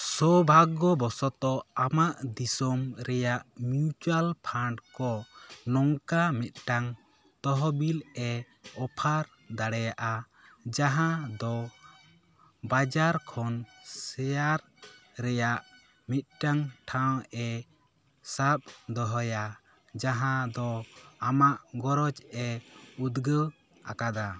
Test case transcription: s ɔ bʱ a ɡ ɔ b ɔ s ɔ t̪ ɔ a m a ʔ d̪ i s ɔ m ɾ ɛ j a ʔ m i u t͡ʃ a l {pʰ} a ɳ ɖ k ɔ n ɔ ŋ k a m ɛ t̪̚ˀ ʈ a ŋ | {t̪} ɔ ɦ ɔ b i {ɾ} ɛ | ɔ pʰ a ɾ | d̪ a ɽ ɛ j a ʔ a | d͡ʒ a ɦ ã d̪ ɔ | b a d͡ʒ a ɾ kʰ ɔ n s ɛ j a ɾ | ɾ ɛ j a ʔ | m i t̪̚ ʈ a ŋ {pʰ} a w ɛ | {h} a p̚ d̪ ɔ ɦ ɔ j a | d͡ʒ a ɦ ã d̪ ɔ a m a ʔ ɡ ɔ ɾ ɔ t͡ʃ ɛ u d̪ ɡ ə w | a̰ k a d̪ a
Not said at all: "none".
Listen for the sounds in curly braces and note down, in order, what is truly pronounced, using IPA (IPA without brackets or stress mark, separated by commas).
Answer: pʰ, t̪, l, ʈʰ, s